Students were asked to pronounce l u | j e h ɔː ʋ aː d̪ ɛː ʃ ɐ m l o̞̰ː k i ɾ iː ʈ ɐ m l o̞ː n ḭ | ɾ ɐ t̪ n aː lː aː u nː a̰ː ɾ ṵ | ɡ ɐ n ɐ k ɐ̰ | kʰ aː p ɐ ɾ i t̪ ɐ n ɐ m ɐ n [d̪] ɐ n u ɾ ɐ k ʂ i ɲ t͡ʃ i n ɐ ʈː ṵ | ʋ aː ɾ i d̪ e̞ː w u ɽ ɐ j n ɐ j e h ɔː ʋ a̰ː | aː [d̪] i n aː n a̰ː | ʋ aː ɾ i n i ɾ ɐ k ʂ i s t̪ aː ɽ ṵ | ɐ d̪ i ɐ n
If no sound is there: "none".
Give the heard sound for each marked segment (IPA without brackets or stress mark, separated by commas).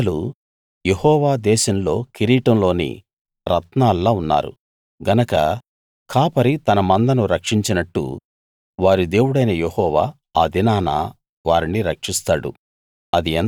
d̪, d̪